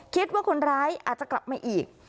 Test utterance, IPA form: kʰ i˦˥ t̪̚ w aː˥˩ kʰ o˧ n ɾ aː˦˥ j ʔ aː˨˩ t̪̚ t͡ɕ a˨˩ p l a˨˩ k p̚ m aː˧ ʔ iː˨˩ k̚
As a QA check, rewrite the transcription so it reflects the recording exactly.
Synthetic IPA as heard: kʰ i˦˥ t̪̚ w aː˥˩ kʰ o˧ n ɾ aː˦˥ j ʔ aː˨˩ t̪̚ t͡ɕ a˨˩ k l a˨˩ p̚ m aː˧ ʔ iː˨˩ k̚